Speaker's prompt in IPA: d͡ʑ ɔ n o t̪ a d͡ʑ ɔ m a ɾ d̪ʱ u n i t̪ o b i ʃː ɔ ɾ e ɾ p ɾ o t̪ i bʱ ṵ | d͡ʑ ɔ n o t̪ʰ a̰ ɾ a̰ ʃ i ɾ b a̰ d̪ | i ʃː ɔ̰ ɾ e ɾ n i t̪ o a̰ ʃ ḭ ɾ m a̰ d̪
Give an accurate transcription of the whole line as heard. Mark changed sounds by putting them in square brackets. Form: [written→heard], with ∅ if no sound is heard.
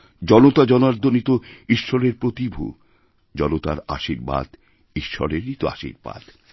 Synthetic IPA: d͡ʑ ɔ n o t̪ a d͡ʑ ɔ [m→n] a ɾ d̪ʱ [u→o] n i t̪ o [b→∅] i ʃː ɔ ɾ e ɾ p ɾ o t̪ i bʱ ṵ | d͡ʑ ɔ n o [t̪ʰ→t̪] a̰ ɾ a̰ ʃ i ɾ b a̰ d̪ | i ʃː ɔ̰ ɾ e ɾ n i t̪ o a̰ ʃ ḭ ɾ [m→b] a̰ d̪

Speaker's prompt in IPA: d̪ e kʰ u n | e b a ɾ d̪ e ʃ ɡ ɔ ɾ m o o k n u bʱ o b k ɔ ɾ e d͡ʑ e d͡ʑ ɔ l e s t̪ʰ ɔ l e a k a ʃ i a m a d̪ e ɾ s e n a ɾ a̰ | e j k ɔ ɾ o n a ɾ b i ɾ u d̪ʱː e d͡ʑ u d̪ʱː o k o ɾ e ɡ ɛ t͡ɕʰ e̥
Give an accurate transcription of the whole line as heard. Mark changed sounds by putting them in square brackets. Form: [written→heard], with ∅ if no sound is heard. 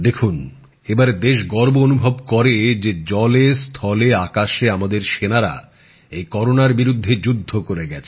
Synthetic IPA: d̪ e kʰ u n | e b a ɾ d̪ e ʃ ɡ ɔ ɾ [m→b] o o [k→∅] n u bʱ o b k ɔ ɾ e d͡ʑ e d͡ʑ ɔ l e s t̪ʰ ɔ l e a k a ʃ [i→e] a m a d̪ e ɾ [s→ʃ] e n a ɾ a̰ | e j k ɔ ɾ o n a ɾ b i ɾ u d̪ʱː e d͡ʑ u d̪ʱː o k o ɾ e ɡ ɛ t͡ɕʰ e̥

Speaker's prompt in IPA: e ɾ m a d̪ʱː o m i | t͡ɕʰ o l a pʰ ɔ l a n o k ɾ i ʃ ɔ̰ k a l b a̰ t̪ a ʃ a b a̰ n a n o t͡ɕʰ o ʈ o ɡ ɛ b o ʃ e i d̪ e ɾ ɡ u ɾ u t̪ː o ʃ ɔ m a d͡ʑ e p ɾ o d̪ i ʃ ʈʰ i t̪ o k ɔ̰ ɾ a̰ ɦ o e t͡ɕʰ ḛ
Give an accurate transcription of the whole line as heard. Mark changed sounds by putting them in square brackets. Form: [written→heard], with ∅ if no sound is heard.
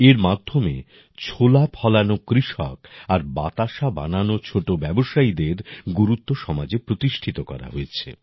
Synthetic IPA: e ɾ m a d̪ʱː o m [i→e] | t͡ɕʰ o l a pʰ ɔ l a n o k ɾ i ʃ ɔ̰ k a [l→ɾ] b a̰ t̪ a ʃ a b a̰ n a n o t͡ɕʰ o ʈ o [ɡ→b] ɛ b o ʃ [e→a] i d̪ e ɾ ɡ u ɾ u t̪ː o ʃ ɔ m a d͡ʑ e p ɾ o [d̪→t̪] i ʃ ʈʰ i t̪ o k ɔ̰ ɾ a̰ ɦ o e t͡ɕʰ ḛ

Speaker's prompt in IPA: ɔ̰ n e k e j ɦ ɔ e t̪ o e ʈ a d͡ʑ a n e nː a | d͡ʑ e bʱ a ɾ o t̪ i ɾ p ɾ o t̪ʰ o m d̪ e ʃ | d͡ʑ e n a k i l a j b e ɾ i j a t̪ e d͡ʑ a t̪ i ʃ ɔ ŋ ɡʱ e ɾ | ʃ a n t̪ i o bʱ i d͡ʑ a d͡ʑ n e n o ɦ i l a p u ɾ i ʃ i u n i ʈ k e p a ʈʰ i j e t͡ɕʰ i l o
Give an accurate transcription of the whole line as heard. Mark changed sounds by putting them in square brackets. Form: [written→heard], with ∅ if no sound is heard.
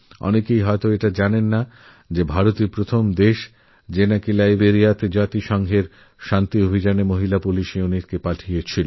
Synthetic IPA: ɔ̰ n e k e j ɦ ɔ e t̪ o e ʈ a d͡ʑ a n e nː a | d͡ʑ e bʱ a ɾ o t̪ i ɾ p ɾ o t̪ʰ o m d̪ e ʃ | d͡ʑ e n a k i l a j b e ɾ i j a t̪ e d͡ʑ a t̪ i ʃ ɔ ŋ ɡʱ e ɾ | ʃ a n t̪ i o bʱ i d͡ʑ a [d͡ʑ→∅] n e [n→m] o ɦ i l a p u [ɾ→l] i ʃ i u n i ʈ k e p a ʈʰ i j e t͡ɕʰ i l o

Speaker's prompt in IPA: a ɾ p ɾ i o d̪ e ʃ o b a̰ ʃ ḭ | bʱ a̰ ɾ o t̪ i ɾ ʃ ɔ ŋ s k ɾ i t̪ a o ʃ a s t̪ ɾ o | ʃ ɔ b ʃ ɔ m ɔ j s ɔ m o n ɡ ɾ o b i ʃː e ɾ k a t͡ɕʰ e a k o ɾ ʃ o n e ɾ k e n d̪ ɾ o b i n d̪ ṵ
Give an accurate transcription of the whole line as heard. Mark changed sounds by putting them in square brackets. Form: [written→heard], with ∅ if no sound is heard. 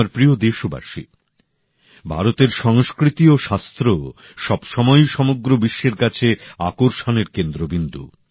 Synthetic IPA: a ɾ p ɾ i o d̪ e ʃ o b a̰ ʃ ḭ | bʱ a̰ ɾ o t̪ [i→e] ɾ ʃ ɔ ŋ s k ɾ i t̪ [a→i] o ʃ a s t̪ ɾ o | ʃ ɔ b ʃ ɔ m ɔ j [s→ʃ] ɔ m o [n→∅] ɡ ɾ o b i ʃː e ɾ k a t͡ɕʰ e a k o ɾ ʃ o n e ɾ k e n d̪ ɾ o b i n d̪ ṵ

